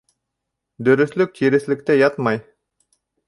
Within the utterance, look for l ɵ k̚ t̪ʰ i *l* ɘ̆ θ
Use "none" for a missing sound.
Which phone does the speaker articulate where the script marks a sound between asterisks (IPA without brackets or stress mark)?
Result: ɾ